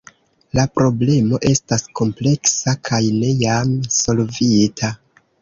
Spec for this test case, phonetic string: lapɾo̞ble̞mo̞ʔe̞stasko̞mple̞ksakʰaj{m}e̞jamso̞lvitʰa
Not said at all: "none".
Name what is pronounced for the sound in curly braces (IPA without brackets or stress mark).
n